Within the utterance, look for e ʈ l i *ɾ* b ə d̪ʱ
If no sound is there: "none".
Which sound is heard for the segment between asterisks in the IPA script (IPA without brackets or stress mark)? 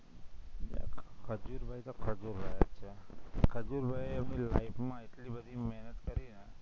none